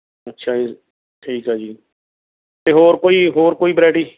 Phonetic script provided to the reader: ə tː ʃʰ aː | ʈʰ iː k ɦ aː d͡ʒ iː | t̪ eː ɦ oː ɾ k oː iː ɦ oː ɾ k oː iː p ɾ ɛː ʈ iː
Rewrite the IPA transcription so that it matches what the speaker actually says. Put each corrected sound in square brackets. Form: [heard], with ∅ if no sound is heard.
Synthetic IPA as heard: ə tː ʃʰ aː | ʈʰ iː k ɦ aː d͡ʒ iː | t̪ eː ɦ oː ɾ k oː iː ɦ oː ɾ k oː iː [b] ɾ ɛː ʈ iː